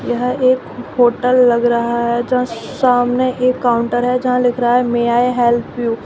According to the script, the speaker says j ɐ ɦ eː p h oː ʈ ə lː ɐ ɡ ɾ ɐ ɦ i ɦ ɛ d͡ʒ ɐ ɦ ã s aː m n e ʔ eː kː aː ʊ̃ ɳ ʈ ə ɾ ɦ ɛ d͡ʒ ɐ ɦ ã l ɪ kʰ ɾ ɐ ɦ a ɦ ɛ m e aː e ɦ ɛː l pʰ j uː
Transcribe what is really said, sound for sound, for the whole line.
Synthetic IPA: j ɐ ɦ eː k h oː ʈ ə lː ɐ ɡ ɾ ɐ ɦ a ɦ ɛ d͡ʒ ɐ ɦ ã s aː m n e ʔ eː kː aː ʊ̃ ɳ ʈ ə ɾ ɦ ɛ d͡ʒ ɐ ɦ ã l ɪ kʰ ɾ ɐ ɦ a ɦ ɛ m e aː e ɦ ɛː l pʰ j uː